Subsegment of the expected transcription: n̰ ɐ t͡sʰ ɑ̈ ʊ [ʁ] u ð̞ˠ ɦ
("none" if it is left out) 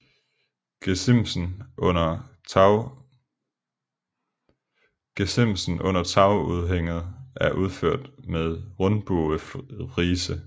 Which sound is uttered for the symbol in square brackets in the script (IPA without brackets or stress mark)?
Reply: none